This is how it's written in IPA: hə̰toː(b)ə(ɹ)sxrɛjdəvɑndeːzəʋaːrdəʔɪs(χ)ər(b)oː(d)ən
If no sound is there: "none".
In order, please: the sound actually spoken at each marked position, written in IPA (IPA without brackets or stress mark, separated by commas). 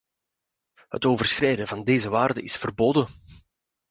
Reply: v, r, f, b, d